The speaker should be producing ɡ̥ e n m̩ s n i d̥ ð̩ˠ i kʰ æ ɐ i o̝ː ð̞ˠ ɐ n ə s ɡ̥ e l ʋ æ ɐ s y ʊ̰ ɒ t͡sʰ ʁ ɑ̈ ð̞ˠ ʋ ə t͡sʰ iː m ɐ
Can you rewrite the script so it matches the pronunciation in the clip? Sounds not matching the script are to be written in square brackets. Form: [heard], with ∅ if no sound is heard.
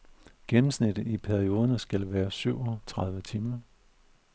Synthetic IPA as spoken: ɡ̥ e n m̩ s n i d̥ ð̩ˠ i [pʰ] æ ɐ i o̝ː ð̞ˠ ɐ n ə s ɡ̥ [æ] l ʋ [æː] ɐ s y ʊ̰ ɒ t͡sʰ ʁ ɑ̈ ð̞ˠ ʋ ə t͡sʰ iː m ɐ